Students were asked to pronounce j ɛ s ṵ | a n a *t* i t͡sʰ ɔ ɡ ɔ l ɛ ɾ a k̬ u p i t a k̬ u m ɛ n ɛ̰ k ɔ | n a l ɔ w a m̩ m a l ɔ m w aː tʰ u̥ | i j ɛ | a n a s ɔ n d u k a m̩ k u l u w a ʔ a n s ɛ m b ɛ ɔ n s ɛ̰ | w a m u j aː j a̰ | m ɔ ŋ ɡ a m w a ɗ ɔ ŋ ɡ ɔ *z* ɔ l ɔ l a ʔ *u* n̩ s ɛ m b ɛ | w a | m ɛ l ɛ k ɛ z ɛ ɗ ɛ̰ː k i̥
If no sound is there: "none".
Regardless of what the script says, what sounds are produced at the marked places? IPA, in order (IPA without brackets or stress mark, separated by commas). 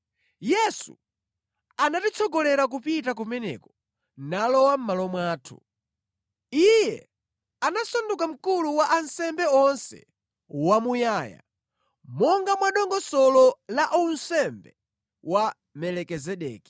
t, s, u